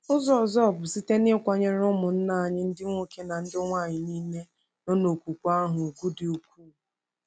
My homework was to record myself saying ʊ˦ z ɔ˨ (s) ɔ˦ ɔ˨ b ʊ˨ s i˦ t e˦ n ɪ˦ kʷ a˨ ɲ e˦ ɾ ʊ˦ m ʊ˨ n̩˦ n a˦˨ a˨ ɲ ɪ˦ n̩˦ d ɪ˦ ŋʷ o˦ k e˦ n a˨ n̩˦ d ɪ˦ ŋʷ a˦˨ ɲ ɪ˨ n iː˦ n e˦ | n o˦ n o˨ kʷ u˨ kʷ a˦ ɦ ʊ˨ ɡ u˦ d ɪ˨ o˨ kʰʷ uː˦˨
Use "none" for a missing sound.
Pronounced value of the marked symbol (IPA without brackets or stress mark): z